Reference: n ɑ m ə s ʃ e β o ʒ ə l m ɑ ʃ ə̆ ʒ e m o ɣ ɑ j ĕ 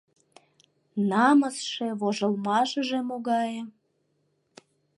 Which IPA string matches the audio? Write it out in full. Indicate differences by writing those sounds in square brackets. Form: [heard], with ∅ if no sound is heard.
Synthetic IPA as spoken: n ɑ m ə s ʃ e β o ʒ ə l m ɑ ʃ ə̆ ʒ e m o ɣ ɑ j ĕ